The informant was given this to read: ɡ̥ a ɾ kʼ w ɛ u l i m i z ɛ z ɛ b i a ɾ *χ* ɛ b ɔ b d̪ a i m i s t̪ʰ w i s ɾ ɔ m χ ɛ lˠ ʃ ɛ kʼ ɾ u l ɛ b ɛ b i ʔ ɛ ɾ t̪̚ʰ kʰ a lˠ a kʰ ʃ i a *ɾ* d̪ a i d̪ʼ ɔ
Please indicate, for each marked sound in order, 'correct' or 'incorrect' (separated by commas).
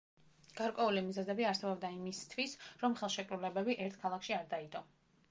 incorrect, correct